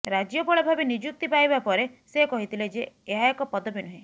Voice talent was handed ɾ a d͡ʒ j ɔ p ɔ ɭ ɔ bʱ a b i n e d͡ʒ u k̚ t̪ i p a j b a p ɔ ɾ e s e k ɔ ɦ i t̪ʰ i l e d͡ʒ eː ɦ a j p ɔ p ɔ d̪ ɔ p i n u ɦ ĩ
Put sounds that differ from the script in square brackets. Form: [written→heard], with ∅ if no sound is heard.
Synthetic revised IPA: ɾ a d͡ʒ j ɔ p ɔ ɭ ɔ bʱ a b i n [e→i] d͡ʒ u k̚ t̪ i p a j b a p ɔ ɾ e s e k ɔ ɦ i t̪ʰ i l e d͡ʒ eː ɦ a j [p→k] ɔ p ɔ d̪ ɔ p i n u ɦ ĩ